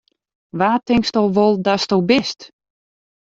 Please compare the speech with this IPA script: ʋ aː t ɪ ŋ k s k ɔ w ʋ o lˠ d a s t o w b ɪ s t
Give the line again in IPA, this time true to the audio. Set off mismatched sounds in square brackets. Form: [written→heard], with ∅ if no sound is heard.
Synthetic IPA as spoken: ʋ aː t ɪ ŋ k s [k→t] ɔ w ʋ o lˠ d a s t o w b ɪ s t